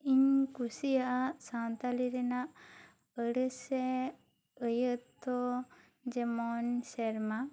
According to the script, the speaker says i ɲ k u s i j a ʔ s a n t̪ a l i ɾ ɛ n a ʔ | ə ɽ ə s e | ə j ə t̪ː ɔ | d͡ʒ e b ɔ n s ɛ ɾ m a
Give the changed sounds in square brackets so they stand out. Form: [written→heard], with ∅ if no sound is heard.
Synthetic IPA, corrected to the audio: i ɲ k u s i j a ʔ s a n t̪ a l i ɾ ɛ n a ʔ | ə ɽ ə s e | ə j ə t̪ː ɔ | d͡ʒ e [b→m] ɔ n s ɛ ɾ m a